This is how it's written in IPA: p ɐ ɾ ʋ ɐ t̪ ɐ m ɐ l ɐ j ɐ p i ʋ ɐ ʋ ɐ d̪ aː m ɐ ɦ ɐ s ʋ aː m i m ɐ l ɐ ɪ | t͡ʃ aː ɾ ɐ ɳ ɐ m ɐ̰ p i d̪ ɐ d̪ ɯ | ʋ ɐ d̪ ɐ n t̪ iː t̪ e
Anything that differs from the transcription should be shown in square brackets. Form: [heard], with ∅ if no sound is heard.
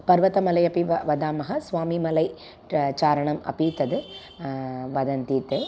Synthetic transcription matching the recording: p ɐ ɾ ʋ ɐ t̪ ɐ m ɐ l ɐ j ɐ p i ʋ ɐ ʋ ɐ d̪ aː m ɐ ɦ ɐ s ʋ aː m i m ɐ l ɐ ɪ | t͡ʃ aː ɾ ɐ ɳ ɐ m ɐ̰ p i [t̪] ɐ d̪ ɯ | ʋ ɐ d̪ ɐ n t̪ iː t̪ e